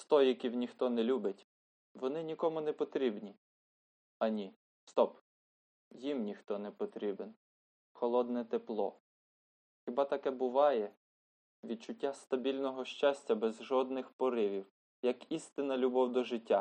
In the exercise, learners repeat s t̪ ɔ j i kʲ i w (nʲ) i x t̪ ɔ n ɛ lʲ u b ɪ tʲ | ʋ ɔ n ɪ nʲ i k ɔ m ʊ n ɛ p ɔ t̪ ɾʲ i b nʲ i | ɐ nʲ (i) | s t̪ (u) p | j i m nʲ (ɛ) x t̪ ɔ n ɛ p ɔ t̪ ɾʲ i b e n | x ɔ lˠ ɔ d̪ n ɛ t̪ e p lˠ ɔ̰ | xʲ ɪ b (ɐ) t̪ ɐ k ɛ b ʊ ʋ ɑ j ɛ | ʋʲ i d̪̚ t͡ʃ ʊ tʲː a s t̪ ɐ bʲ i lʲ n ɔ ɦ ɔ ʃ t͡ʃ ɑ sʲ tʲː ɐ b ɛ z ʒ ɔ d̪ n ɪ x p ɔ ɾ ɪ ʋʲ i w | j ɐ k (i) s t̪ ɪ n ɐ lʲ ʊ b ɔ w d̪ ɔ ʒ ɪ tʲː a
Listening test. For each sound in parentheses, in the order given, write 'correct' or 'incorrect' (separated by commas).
correct, correct, incorrect, incorrect, incorrect, correct